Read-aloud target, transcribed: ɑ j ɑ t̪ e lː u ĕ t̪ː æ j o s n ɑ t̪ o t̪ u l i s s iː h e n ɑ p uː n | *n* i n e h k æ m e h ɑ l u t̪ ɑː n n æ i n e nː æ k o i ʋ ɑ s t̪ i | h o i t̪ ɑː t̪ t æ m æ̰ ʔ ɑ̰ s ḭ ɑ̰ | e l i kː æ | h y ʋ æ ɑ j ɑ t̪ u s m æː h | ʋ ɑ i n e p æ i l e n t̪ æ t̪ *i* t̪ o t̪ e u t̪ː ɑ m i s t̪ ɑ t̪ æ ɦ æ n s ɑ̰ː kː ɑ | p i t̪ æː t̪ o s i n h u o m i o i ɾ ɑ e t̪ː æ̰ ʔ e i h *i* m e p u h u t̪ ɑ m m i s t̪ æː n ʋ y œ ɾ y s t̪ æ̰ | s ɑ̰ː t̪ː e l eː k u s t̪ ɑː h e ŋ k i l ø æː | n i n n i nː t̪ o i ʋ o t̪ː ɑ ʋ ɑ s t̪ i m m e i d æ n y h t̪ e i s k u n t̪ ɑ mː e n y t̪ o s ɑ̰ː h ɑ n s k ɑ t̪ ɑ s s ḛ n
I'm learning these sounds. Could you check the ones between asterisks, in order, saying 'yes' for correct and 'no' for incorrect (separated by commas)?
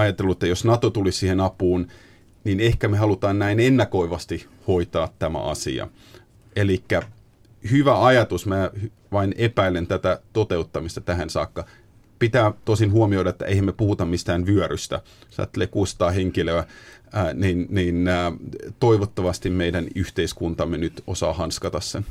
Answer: yes, no, no